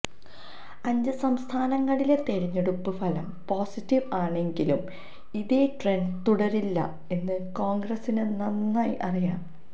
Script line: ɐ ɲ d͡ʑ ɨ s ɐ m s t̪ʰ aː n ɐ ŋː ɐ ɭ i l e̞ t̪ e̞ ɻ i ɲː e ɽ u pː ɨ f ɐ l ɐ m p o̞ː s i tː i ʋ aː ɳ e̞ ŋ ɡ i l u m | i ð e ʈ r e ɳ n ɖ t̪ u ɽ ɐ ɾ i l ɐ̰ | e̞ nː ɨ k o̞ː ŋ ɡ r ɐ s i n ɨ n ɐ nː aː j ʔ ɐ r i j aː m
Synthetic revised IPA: ɐ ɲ d͡ʑ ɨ s ɐ m s t̪ʰ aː n ɐ ŋː ɐ ɭ i l e̞ t̪ e̞ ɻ i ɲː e ɽ u pː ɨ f ɐ l ɐ m p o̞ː s i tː i ʋ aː ɳ e̞ ŋ ɡ i l u m | i ð e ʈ r e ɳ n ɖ t̪ u ɽ ɐ ɾ i lː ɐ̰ | e̞ nː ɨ k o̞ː ŋ ɡ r ɐ s i n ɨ n ɐ nː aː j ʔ ɐ r i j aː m